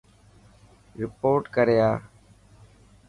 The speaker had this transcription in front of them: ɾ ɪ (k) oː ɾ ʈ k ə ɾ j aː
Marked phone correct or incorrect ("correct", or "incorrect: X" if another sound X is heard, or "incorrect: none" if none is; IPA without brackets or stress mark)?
incorrect: p